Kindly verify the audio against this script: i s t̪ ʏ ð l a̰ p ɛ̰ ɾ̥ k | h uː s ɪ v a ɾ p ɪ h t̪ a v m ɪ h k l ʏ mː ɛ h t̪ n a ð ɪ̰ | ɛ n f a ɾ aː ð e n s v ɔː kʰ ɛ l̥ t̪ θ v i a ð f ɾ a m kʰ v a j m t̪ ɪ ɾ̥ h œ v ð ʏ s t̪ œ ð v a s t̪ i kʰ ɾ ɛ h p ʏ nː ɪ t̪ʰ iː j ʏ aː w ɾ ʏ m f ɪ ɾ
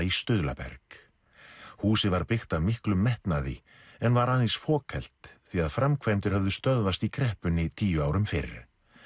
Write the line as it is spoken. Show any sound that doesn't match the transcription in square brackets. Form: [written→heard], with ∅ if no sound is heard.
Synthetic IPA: i s t̪ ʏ ð l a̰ p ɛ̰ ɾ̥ k | h uː s ɪ v a ɾ p ɪ [h→x] t̪ a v m ɪ h k l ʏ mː ɛ h t̪ n a ð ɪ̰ | ɛ n [f→v] a ɾ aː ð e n s [v→f] ɔː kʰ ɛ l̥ t̪ θ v i a ð f ɾ a m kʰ v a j m t̪ ɪ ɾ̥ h œ v ð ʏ s t̪ œ ð v a s t̪ i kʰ ɾ ɛ h p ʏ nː ɪ t̪ʰ iː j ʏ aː w ɾ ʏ m f ɪ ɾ